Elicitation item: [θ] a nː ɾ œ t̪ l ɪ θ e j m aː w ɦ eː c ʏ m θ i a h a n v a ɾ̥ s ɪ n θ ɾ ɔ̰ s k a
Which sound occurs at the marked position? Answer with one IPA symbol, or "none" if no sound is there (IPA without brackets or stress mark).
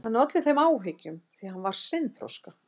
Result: h